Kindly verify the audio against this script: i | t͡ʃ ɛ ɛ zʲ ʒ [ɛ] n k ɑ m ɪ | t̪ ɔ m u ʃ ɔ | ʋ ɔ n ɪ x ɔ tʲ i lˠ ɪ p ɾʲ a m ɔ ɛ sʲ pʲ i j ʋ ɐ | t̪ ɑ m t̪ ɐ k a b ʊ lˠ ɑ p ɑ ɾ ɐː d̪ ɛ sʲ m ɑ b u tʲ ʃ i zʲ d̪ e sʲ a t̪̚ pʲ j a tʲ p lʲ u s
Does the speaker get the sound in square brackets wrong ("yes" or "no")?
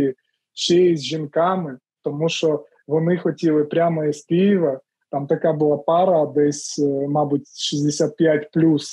yes